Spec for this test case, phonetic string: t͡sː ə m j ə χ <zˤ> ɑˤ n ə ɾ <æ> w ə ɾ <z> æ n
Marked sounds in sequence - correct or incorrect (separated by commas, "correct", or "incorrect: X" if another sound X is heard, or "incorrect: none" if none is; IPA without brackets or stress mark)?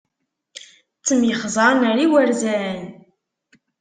correct, incorrect: i, correct